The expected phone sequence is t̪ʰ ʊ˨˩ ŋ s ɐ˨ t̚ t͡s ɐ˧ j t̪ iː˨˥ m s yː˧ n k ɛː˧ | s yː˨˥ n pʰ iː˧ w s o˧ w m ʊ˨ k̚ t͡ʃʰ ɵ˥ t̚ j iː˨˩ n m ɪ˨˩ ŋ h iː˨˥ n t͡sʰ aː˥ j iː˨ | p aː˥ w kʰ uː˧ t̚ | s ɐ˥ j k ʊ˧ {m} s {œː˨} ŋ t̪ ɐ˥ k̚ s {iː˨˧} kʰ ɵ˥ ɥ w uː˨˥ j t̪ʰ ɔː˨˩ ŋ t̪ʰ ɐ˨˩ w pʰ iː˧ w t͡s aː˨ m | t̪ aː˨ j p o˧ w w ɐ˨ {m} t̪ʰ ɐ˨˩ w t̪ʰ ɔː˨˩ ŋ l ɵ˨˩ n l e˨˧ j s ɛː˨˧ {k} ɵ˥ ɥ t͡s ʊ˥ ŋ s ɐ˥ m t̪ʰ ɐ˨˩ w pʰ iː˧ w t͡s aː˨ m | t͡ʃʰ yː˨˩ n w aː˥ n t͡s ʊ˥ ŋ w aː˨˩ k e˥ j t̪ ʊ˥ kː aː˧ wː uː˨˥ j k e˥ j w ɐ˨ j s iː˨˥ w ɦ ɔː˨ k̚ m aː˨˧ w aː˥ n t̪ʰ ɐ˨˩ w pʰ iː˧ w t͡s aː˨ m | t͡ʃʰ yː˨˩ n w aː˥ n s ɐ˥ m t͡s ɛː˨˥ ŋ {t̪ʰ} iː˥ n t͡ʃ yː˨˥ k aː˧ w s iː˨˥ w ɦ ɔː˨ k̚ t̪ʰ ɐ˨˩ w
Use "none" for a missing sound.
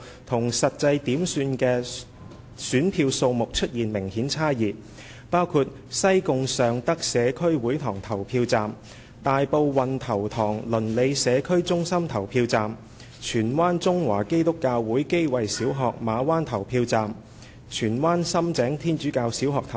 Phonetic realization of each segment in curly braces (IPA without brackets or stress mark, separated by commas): ŋ, œː˨, ɛː˨˧, n, kʰ, t̪ʰ